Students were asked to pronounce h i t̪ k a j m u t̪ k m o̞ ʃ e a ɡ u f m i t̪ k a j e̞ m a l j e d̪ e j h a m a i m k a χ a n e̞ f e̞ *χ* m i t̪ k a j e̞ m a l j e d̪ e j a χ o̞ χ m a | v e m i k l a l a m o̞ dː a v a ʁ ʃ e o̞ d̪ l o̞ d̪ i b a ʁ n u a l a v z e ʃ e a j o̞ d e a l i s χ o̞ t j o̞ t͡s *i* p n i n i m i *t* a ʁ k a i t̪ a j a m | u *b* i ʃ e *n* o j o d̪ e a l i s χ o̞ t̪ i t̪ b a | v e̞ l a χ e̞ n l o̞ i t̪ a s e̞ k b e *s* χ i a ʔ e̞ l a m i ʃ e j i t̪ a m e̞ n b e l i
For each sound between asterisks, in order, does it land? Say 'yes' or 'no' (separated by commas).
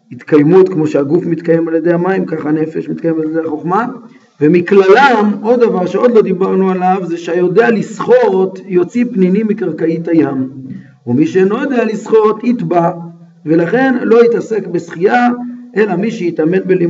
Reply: no, yes, no, no, yes, yes